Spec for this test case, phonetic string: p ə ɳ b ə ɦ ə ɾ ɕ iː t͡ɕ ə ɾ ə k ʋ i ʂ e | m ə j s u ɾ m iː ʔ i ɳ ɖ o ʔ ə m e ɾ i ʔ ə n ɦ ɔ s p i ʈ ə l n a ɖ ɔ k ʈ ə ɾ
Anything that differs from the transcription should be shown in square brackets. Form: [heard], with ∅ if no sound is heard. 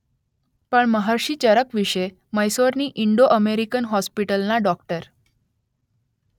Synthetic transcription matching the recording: p ə ɳ [m] ə ɦ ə ɾ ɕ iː t͡ɕ ə ɾ ə k ʋ i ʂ e | m ə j s [o] ɾ [n] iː ʔ i ɳ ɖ o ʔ ə m e ɾ i [k] ə n ɦ ɔ s p i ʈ ə l n a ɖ ɔ k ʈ ə ɾ